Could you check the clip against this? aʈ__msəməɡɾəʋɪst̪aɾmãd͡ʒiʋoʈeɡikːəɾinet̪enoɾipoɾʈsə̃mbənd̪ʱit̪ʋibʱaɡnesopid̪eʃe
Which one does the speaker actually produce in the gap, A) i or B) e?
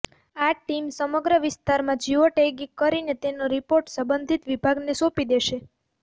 A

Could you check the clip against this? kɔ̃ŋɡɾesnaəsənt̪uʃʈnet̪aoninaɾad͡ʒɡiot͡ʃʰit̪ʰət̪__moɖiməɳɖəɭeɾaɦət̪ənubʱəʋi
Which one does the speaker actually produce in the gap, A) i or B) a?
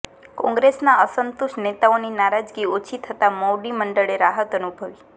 B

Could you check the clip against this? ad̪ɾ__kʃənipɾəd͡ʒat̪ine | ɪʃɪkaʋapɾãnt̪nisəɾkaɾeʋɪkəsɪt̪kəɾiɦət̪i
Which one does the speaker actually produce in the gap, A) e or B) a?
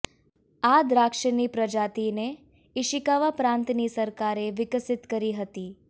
B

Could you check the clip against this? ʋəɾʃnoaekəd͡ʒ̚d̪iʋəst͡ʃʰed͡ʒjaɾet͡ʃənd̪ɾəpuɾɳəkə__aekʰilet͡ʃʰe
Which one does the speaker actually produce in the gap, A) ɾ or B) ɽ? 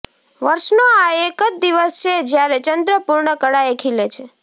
B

